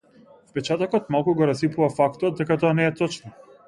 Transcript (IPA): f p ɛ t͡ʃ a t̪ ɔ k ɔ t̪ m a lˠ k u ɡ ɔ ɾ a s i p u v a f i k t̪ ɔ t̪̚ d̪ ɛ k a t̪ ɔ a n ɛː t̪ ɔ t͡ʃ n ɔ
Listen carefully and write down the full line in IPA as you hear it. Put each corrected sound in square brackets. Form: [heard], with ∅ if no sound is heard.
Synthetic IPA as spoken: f p ɛ t͡ʃ a t̪ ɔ k ɔ t̪ m a lˠ k u ɡ ɔ ɾ a s i p u v a f [a] k t̪ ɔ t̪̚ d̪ ɛ k a t̪ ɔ a n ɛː t̪ ɔ t͡ʃ n ɔ